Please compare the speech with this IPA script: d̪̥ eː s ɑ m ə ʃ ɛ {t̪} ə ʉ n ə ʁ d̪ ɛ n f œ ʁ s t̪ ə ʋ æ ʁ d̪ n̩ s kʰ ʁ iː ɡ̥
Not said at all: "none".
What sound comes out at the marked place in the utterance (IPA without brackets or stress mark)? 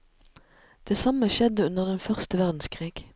d̪